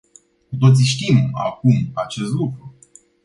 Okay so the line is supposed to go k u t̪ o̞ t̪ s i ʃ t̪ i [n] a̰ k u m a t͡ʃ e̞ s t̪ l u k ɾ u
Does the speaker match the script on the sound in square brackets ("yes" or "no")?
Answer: no